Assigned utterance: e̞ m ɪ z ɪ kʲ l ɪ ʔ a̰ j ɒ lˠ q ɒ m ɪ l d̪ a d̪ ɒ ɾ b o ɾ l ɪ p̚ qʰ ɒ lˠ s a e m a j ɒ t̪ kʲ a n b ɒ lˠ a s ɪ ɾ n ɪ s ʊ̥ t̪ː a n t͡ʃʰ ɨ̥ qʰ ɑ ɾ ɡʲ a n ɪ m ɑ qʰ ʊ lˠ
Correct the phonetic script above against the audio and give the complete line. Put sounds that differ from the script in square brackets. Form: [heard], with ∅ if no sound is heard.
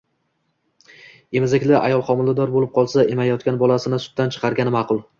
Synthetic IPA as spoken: e̞ m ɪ z ɪ kʲ l ɪ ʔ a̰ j ɒ lˠ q ɒ m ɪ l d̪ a d̪ ɒ ɾ b o [∅] l ɪ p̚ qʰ ɒ lˠ s a e m a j ɒ t̪ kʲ a n b ɒ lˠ a s ɪ [∅] n ɪ s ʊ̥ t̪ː a n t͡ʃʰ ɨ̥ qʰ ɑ ɾ ɡʲ a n ɪ m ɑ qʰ ʊ lˠ